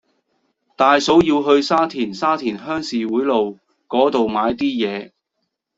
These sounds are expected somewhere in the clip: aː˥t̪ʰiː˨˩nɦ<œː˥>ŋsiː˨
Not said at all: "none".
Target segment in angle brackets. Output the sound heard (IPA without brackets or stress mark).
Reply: œː˥